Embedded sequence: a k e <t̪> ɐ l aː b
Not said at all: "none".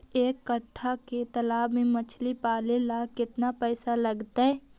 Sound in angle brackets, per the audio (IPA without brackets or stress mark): t̪